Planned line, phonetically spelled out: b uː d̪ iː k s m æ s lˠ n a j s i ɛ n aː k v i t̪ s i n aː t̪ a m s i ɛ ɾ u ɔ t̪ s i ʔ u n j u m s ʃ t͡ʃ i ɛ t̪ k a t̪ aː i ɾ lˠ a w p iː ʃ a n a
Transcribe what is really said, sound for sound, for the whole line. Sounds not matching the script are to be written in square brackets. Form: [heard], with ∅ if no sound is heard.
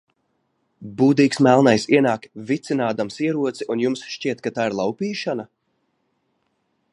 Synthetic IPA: b uː d̪ iː k s m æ [∅] lˠ n a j s i ɛ n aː k v i t̪ s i n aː [d̪] a m s i ɛ ɾ u ɔ t̪ s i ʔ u n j u m s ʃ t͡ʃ i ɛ t̪ k a t̪ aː i ɾ lˠ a w p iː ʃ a n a